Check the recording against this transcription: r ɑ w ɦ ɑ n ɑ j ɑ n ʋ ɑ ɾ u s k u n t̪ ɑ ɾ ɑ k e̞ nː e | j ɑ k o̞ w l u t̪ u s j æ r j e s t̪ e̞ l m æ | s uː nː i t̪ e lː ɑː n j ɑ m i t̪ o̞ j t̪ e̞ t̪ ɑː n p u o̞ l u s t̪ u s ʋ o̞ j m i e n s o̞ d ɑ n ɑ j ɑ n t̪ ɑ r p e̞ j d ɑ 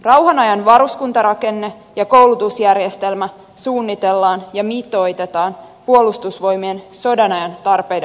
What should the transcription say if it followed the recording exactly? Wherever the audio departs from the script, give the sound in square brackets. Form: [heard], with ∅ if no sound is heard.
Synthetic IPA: r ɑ w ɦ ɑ n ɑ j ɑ n ʋ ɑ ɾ u s k u n t̪ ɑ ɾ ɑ k e̞ nː e | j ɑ k o̞ w l u t̪ u s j æ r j e s t̪ e̞ l m æ | s uː nː i t̪ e lː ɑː n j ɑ m i t̪ o̞ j t̪ e̞ t̪ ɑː n p u o̞ l u s t̪ u s ʋ o̞ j m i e n s o̞ d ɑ n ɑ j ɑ n t̪ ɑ r p e̞ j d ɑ